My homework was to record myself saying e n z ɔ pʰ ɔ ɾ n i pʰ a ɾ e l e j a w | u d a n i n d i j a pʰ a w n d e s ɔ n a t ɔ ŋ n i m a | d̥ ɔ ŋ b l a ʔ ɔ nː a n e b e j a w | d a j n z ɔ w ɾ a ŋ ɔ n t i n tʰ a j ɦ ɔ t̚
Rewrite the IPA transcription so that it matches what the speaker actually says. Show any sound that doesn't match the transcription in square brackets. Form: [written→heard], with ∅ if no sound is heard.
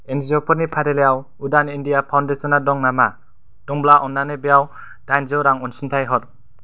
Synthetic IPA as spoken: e n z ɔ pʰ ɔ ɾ n i pʰ a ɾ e l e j a w | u d a n i n d i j a pʰ a w n d e s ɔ n a [t→d] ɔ ŋ n [i→a] m a | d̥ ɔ ŋ b l a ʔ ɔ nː a n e b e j a w | d a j n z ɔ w ɾ a ŋ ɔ n [t→s] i n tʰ a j ɦ ɔ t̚

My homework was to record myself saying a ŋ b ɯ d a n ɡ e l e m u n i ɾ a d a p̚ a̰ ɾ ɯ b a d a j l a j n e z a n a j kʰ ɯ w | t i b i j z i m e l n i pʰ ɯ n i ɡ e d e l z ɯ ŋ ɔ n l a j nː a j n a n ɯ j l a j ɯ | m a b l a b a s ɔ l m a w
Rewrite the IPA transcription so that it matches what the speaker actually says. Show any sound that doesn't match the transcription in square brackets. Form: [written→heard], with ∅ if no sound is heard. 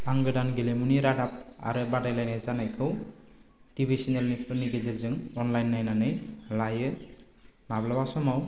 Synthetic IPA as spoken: a ŋ [b→ɡ] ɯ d a n ɡ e l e m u n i ɾ a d a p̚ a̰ ɾ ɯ b a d a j l a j n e z a n a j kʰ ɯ w | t i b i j [z→s] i [m→n] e l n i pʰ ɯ n i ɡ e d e l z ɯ ŋ ɔ n l a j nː a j n a n ɯ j l a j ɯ | m a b l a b a s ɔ [l→∅] m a w

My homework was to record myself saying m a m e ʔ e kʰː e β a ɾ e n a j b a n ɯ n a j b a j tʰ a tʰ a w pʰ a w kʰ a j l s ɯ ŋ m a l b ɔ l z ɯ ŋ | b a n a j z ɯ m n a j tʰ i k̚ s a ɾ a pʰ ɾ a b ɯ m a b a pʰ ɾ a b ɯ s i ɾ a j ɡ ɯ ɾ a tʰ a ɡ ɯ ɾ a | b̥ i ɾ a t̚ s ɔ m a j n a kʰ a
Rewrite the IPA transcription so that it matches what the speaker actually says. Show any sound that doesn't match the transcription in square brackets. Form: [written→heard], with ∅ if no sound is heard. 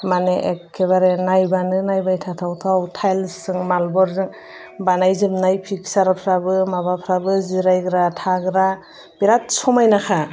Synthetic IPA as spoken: m a [m→n] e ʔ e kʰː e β a ɾ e n a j b a n ɯ n a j b a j tʰ a tʰ a w [pʰ→tʰ] a w [kʰ→tʰ] a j l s ɯ ŋ m a l b ɔ [l→ɾ] z ɯ ŋ | b a n a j z ɯ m n a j [tʰ→pʰ] i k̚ s a ɾ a pʰ ɾ a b ɯ m a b a pʰ ɾ a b ɯ [s→z] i ɾ a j ɡ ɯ ɾ a tʰ a ɡ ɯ ɾ a | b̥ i ɾ a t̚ s ɔ m a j n a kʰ a

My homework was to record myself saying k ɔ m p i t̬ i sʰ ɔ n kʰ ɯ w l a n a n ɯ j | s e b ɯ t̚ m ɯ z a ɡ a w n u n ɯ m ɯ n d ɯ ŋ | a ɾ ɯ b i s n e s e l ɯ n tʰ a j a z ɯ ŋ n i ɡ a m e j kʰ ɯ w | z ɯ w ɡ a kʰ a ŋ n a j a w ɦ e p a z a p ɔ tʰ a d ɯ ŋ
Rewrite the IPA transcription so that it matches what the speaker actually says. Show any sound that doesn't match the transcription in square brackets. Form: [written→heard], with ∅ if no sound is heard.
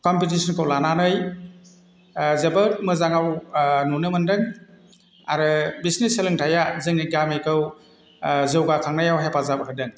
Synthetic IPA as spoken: k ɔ m p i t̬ i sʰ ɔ n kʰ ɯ w l a n a n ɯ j | [s→z] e b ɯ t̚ m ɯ z a [ɡ→ŋ] a w n u n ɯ m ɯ n d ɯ ŋ | a ɾ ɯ b i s n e s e l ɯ [n→ŋ] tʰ a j a z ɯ ŋ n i ɡ a m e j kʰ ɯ w | z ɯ w ɡ a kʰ a ŋ n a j a w ɦ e p a z a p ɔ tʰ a d ɯ ŋ

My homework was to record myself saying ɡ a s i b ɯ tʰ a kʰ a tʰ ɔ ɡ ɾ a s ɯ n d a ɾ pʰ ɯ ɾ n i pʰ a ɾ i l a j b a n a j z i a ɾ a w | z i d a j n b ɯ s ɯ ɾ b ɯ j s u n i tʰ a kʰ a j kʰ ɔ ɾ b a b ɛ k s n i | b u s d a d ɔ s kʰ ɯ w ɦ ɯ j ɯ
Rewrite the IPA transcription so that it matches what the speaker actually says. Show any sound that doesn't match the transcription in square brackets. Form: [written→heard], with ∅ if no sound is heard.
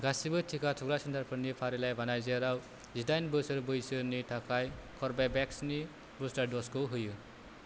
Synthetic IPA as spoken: ɡ a s i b ɯ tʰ [a→i] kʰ a tʰ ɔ ɡ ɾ a s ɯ n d a ɾ pʰ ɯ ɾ n i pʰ a ɾ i l a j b a n a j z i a ɾ a w | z i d a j n b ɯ s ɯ ɾ b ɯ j s [u→ɯ] n i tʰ a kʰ a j kʰ ɔ ɾ b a b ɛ k s n i | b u s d a d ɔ s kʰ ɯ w ɦ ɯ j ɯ

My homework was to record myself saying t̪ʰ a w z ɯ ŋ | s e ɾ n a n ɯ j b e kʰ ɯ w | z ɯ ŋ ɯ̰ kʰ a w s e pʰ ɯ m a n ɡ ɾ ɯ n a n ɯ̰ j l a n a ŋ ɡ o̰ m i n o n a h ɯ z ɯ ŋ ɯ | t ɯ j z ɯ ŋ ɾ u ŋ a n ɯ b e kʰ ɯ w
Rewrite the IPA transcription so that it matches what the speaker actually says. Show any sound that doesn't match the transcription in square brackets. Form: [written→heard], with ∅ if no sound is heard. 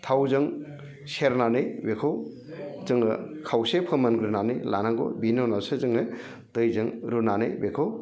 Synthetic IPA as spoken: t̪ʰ a w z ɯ ŋ | s e ɾ n a n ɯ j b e kʰ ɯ w | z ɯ ŋ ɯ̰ kʰ a w s e pʰ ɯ m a n ɡ ɾ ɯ n a n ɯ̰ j l a n a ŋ ɡ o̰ [m→b] i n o n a [h→s] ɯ z ɯ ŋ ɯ | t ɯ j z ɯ ŋ ɾ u [ŋ→n] a n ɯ b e kʰ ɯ w

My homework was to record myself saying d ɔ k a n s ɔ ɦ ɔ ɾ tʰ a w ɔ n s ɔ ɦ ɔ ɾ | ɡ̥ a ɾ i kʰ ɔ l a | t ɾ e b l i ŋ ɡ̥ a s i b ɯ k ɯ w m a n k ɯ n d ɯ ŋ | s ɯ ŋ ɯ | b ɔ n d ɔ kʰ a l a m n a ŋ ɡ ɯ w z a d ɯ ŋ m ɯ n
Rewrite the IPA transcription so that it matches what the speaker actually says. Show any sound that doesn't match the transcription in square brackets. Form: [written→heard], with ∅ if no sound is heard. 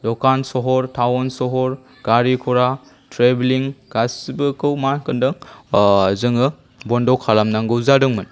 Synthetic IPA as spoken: d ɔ k a n s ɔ ɦ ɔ ɾ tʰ a w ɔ n s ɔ ɦ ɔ ɾ | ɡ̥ a ɾ i kʰ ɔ [l→ɾ] a | t ɾ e b l i ŋ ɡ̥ a s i b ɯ k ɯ w m a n k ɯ n d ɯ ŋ | [s→z] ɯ ŋ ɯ | b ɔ n d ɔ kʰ a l a m n a ŋ ɡ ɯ w z a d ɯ ŋ m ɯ n

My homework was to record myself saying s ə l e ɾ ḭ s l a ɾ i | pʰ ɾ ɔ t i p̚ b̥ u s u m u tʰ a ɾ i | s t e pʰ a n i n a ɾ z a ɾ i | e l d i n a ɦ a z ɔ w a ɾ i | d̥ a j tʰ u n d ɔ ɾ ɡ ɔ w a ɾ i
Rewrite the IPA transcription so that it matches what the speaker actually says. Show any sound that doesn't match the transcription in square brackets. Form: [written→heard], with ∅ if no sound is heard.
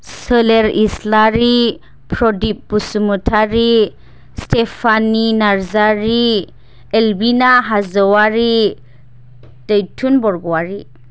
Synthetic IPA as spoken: s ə l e ɾ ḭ s l a ɾ i | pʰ ɾ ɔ [t→d] i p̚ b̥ u s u m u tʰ a ɾ i | s t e pʰ a n i n a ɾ z a ɾ i | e l [d→b] i n a ɦ a z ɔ w a ɾ i | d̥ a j tʰ u n [d→b] ɔ ɾ ɡ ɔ w a ɾ i

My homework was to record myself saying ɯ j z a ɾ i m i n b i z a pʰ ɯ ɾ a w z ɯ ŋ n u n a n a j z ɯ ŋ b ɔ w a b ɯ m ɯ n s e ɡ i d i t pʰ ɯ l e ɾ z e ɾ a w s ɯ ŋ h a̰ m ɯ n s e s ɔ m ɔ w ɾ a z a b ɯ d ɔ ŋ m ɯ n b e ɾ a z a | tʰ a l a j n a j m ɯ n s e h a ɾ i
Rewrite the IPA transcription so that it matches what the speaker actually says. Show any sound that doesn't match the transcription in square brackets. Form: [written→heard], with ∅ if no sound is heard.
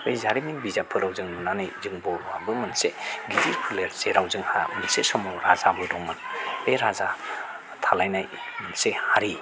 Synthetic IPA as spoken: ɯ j z a ɾ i m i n b i z a pʰ ɯ ɾ a w z ɯ ŋ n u n a n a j z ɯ ŋ b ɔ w a b ɯ m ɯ n s e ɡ i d i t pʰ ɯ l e ɾ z e ɾ a w [s→z] ɯ ŋ h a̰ m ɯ n s e s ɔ m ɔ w ɾ a z a b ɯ d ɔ ŋ m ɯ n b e ɾ a z a | tʰ a l a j n a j m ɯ n s e h a ɾ i

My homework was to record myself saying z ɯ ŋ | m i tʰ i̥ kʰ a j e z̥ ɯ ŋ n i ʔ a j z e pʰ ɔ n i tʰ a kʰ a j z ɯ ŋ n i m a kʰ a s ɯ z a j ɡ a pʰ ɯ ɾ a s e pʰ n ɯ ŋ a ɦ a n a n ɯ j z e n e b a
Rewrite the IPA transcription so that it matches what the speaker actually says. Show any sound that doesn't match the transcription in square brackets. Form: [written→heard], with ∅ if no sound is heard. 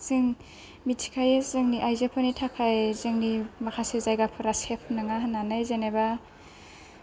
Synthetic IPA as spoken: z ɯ ŋ | m i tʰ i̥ kʰ a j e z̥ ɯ ŋ n i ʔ a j z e pʰ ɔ n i tʰ a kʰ a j z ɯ ŋ n i m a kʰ a s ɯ z a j ɡ a pʰ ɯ ɾ a s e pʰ n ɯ ŋ a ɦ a n a n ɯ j z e n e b a

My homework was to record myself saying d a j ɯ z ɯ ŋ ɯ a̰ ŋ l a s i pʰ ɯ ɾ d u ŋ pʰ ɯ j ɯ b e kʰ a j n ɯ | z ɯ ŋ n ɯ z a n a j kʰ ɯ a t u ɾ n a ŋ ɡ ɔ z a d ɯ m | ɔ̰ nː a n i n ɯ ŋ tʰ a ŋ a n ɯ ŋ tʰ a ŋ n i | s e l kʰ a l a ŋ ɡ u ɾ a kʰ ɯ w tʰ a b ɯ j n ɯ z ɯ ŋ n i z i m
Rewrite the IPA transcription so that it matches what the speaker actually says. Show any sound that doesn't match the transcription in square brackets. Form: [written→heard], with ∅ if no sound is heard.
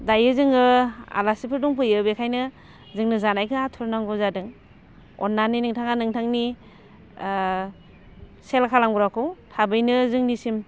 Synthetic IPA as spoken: d a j ɯ z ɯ ŋ ɯ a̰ [ŋ→∅] l a s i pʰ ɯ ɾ d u ŋ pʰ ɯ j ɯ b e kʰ a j n ɯ | z ɯ ŋ n ɯ z a n a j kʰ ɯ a [t→tʰ] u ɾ n a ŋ ɡ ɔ z a d ɯ [m→ŋ] | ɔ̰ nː a n i n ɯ ŋ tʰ a ŋ a n ɯ ŋ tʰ a ŋ n i | s e l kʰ a l a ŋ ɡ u ɾ a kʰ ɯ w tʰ a b ɯ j n ɯ z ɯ ŋ n i [z→s] i m

